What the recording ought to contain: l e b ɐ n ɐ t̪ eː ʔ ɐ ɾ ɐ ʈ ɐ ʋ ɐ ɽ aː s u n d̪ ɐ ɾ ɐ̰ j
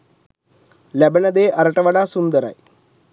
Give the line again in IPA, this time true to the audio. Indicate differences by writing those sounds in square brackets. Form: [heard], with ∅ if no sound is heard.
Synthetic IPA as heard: l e b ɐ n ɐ [d̪] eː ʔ ɐ ɾ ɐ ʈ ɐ ʋ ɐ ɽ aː s u n d̪ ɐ ɾ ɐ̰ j